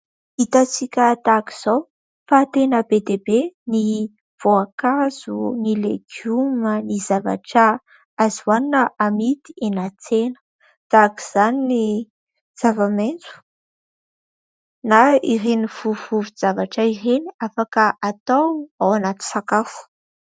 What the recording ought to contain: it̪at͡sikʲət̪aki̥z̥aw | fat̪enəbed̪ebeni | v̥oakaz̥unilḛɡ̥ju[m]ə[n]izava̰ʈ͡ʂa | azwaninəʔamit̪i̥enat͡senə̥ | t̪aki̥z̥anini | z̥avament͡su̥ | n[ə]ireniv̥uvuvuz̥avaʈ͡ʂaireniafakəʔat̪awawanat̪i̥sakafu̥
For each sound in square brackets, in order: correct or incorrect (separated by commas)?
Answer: correct, correct, incorrect